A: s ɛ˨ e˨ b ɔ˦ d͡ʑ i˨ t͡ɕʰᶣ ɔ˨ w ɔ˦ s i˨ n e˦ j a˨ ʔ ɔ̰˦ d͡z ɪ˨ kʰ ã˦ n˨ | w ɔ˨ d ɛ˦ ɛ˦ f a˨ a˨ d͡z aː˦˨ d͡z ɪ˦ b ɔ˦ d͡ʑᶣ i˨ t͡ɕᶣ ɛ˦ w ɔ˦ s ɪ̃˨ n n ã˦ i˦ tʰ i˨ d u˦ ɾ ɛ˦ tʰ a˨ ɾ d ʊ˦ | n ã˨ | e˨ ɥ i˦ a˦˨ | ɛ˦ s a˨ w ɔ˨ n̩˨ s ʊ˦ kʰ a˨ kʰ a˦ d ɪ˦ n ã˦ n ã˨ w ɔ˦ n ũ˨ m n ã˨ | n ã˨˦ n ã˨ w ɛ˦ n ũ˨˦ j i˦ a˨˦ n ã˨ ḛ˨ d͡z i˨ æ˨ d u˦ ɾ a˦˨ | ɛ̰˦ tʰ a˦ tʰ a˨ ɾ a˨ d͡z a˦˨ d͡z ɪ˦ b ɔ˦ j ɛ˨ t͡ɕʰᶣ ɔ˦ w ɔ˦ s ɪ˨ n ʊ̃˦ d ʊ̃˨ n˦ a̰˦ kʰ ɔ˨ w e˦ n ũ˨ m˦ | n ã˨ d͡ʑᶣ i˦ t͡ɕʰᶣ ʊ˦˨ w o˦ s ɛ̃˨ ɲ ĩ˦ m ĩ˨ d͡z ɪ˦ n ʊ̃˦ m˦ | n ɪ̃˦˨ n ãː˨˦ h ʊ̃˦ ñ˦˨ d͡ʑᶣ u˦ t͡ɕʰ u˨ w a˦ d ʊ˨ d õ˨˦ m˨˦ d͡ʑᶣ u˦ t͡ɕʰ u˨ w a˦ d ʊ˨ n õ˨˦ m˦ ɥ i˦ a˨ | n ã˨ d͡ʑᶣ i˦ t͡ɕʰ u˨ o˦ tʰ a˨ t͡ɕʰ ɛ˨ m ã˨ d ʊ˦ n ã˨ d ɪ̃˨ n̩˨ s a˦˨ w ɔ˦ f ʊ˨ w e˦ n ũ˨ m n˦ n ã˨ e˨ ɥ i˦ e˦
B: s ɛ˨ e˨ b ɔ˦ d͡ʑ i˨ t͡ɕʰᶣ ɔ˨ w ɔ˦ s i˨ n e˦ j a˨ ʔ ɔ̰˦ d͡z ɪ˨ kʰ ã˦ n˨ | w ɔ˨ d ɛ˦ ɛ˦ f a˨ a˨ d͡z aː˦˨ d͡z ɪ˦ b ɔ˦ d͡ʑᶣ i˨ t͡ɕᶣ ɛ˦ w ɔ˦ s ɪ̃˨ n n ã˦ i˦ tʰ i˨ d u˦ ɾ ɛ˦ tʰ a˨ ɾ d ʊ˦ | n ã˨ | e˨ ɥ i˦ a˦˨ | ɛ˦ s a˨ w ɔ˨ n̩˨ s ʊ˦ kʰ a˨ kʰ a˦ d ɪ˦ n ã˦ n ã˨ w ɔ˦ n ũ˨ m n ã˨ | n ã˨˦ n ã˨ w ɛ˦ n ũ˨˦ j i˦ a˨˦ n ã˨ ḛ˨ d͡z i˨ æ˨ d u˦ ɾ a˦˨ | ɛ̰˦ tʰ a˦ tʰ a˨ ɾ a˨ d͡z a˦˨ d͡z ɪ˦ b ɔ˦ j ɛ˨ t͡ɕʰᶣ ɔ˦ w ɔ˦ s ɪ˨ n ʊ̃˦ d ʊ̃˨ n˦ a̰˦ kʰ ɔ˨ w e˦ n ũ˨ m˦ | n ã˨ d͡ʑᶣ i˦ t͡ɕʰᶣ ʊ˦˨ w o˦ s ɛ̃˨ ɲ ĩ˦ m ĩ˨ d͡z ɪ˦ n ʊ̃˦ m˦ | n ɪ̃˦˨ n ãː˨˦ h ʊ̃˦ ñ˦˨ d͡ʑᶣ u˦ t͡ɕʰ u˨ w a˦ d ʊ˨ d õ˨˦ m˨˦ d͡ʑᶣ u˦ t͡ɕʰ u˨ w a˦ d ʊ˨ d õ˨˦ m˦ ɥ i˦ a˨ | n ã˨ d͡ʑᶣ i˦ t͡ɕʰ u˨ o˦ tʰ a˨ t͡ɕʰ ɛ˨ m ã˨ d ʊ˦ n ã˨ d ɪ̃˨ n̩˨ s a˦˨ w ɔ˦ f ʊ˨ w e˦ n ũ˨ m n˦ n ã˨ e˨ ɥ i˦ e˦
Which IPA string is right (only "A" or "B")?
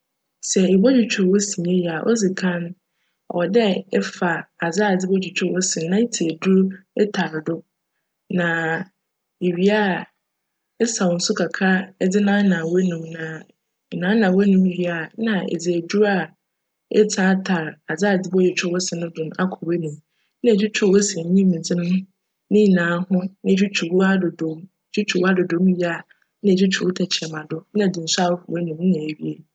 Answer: B